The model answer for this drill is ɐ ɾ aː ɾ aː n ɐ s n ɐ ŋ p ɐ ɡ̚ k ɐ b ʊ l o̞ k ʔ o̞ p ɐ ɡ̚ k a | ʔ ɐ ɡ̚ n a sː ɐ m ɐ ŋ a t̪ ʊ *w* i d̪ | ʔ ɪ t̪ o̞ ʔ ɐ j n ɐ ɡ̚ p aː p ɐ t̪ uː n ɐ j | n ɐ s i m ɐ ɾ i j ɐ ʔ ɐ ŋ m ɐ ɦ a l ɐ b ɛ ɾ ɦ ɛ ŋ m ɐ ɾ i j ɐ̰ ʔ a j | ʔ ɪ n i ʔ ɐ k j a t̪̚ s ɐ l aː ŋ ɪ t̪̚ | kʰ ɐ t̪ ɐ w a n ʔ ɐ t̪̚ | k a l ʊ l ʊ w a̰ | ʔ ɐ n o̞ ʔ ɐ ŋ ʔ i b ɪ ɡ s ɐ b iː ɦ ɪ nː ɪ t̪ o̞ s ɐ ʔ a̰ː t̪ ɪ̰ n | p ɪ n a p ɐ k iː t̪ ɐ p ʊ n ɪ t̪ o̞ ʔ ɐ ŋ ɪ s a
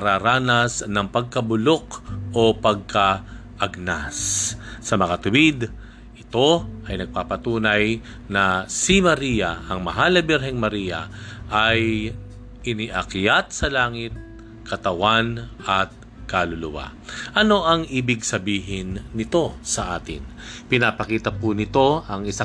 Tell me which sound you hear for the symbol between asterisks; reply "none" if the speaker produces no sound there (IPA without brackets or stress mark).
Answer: w